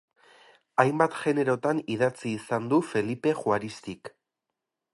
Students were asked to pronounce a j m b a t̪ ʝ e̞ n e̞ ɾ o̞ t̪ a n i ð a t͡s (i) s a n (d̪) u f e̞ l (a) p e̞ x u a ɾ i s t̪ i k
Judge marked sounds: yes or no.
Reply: no, yes, no

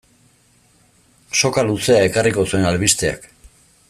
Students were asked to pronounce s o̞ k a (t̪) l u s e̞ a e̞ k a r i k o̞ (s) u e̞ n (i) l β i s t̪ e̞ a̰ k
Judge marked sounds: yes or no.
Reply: no, yes, no

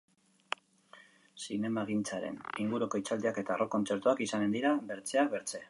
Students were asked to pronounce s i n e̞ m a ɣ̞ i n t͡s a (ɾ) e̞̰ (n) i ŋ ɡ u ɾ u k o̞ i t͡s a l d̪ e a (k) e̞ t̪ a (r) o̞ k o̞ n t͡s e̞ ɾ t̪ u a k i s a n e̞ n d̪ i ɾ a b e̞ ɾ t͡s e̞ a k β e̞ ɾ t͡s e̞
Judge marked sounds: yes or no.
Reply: yes, yes, yes, yes

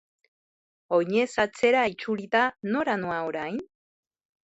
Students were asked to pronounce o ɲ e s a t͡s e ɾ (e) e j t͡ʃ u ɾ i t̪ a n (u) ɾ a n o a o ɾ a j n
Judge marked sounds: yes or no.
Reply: no, no

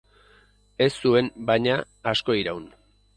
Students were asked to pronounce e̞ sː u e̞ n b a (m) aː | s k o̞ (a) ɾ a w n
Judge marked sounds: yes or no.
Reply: no, no

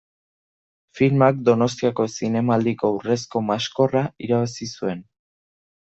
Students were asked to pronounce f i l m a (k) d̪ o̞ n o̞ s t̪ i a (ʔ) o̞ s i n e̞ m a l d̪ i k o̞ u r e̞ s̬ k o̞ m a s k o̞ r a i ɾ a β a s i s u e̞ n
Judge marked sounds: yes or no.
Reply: yes, no

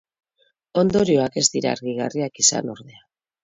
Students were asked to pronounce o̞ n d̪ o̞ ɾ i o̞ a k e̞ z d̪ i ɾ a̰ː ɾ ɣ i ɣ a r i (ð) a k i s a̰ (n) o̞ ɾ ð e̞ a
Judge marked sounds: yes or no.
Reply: no, yes

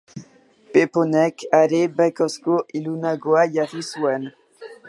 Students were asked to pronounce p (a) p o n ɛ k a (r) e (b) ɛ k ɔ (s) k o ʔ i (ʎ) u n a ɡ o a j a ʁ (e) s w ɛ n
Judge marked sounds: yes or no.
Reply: no, no, yes, yes, no, no

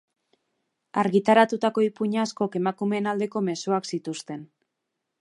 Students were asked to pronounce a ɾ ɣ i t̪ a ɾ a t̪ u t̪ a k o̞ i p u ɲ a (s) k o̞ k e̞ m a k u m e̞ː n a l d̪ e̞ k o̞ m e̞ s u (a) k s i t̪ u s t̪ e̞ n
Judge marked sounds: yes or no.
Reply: yes, yes

